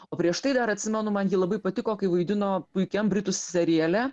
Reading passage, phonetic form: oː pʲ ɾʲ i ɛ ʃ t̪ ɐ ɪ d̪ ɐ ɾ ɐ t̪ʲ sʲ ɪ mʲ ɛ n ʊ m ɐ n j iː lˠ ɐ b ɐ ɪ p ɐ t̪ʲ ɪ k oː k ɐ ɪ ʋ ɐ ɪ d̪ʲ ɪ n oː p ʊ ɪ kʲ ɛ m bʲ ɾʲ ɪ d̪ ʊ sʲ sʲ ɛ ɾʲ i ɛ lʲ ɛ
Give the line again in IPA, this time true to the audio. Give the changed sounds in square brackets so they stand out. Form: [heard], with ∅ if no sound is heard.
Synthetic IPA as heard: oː pʲ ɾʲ i ɛ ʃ t̪ ɐ ɪ d̪ ɐ ɾ ɐ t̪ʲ sʲ ɪ mʲ ɛ n ʊ m ɐ n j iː lˠ ɐ b ɐ ɪ p ɐ t̪ʲ ɪ k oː k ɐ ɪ ʋ ɐ ɪ d̪ʲ ɪ n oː p ʊ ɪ kʲ ɛ m bʲ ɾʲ ɪ [t̪] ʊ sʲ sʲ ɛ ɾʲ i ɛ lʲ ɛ